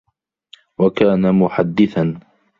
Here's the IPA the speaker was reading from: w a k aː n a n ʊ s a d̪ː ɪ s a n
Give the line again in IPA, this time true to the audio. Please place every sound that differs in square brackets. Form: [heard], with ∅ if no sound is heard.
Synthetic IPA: w a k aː n a [m] ʊ [ħ] a d̪ː ɪ [θ] a n